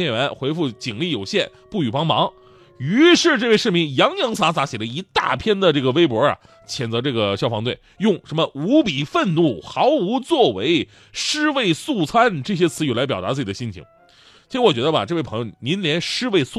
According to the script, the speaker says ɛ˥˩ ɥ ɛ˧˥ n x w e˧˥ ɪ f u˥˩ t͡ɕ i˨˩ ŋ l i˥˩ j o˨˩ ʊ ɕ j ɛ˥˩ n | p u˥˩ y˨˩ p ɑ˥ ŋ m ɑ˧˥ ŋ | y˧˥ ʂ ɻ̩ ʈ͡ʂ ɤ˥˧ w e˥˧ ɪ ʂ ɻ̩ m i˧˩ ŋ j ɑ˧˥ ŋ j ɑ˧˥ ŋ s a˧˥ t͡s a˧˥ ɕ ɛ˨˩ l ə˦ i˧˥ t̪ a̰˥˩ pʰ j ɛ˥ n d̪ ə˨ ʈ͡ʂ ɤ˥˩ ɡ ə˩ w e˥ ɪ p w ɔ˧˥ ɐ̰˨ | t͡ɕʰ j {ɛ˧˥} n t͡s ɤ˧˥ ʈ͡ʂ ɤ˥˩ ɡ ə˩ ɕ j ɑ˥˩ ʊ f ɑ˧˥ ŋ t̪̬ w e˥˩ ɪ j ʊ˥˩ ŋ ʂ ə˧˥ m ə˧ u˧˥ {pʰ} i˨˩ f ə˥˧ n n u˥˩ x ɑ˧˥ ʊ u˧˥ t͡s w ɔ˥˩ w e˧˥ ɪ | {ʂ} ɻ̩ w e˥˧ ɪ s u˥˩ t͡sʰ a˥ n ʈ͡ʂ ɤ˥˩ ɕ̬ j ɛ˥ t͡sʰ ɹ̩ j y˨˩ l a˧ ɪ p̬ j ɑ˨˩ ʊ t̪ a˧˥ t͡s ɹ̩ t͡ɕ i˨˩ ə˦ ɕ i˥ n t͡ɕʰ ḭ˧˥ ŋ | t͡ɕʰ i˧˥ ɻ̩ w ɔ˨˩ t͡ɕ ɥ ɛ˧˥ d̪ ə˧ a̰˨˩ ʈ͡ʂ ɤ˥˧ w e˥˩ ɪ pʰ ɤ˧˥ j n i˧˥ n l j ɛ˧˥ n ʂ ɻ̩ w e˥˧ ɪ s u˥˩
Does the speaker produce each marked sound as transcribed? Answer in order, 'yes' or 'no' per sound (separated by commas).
no, no, yes